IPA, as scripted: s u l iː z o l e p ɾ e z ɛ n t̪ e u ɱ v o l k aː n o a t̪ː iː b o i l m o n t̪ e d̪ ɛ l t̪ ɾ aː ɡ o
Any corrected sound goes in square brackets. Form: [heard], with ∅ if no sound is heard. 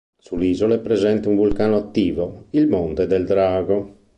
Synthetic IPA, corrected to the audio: s u l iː z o l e p ɾ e z ɛ n t̪ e u ɱ v [u] l k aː n o a t̪ː iː [v] o i l m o n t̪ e d̪ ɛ l [d̪] ɾ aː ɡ o